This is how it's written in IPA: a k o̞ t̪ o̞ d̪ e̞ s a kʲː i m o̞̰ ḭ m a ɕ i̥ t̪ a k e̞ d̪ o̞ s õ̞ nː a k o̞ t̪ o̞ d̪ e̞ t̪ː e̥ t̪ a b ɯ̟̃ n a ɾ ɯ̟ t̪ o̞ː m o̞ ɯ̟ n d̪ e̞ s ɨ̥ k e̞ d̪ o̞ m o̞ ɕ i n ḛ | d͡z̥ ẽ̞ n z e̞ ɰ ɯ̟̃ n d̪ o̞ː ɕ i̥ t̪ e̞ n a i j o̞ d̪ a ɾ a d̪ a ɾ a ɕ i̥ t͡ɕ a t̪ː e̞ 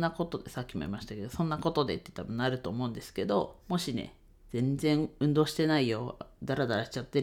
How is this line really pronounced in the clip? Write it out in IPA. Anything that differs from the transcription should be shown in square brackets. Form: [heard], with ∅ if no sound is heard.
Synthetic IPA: a k o̞ t̪ o̞ d̪ e̞ s a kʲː i m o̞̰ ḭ m a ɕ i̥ t̪ a k e̞ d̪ o̞ s õ̞ nː a k o̞ t̪ o̞ d̪ e̞ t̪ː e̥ t̪ a b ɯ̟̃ n a ɾ ɯ̟ t̪ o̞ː m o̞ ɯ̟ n d̪ e̞ s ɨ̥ k e̞ d̪ o̞ m o̞ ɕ i n ḛ | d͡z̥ ẽ̞ n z [ẽ̞] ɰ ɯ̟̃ n d̪ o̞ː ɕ i̥ t̪ e̞ n a i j o̞ d̪ a ɾ a d̪ a ɾ a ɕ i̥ t͡ɕ a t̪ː e̞